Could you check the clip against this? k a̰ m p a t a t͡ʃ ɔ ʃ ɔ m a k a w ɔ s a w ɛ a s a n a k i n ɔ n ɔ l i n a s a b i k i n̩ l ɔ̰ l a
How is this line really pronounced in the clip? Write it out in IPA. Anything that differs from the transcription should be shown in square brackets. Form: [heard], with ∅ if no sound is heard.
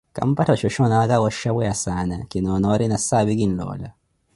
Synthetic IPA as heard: k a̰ m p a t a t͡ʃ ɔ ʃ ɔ [n] a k a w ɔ [ʃ] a w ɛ a s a n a k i n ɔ n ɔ [ɾ] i n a s a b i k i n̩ l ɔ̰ l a